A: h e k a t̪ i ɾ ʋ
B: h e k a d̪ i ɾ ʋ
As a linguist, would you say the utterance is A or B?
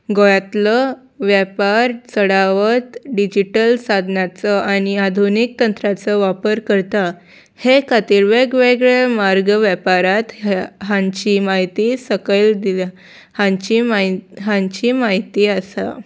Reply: A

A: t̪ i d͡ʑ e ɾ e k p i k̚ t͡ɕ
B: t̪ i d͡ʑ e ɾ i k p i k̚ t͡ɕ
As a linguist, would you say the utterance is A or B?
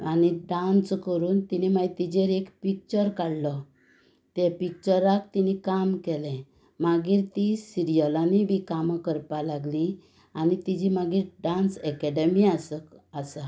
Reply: A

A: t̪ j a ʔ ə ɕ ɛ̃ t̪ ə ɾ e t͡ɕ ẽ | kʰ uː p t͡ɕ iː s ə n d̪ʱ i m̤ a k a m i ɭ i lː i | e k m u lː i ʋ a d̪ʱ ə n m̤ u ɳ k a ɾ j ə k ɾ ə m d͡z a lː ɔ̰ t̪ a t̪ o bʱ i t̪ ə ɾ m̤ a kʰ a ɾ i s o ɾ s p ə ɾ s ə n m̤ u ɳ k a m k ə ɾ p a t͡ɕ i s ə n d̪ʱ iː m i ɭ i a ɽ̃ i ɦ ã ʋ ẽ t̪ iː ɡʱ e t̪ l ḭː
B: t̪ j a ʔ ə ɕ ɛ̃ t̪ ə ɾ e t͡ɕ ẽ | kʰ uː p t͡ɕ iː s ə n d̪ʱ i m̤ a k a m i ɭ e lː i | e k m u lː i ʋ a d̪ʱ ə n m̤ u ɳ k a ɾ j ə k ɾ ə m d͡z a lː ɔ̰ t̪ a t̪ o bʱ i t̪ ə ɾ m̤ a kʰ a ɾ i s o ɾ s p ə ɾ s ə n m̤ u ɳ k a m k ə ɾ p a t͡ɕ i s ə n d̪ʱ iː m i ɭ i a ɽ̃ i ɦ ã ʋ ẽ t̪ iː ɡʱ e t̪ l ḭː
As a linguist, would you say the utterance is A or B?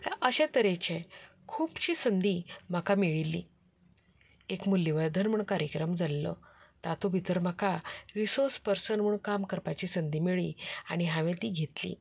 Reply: A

